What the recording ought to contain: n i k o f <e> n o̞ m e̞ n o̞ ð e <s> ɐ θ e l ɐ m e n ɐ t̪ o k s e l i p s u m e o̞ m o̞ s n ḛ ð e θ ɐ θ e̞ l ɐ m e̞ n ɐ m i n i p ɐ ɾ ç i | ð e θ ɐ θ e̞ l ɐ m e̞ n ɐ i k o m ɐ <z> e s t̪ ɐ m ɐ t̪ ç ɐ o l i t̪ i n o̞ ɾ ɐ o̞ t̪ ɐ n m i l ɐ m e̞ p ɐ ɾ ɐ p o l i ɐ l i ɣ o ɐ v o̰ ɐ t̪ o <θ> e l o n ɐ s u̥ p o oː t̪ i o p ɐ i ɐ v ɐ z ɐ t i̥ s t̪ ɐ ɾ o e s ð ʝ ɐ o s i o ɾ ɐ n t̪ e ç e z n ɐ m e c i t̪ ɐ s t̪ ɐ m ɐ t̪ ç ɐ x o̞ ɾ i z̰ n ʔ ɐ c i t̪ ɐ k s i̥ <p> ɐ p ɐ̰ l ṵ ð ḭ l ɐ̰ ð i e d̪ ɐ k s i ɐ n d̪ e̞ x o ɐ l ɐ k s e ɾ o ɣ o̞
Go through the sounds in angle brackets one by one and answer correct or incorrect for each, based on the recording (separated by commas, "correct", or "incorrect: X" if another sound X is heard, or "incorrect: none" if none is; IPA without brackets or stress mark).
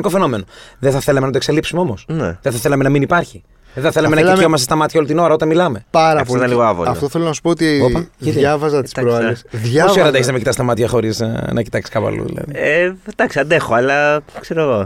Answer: correct, incorrect: θ, incorrect: s, correct, incorrect: k